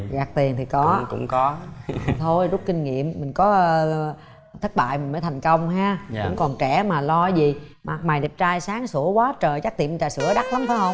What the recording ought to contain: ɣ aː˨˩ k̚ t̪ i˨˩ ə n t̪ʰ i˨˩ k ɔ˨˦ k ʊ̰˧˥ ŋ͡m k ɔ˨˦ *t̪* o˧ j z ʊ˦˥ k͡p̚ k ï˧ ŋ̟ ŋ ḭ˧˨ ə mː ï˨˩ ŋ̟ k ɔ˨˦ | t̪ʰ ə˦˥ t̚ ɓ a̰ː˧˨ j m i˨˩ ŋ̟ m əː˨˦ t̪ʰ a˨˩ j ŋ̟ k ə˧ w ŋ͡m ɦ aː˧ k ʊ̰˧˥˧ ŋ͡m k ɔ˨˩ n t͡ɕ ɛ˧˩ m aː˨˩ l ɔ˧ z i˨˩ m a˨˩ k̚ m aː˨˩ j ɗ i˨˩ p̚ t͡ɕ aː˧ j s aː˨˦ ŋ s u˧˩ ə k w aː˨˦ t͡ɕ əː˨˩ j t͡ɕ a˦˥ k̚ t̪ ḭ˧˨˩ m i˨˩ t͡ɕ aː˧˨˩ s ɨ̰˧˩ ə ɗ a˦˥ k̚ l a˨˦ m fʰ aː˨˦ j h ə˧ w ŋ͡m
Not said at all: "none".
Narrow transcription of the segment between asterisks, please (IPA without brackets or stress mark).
t̪ʰ